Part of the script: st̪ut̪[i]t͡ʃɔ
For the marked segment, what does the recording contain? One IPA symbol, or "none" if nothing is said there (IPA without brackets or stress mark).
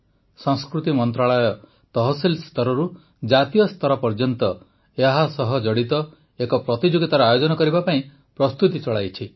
i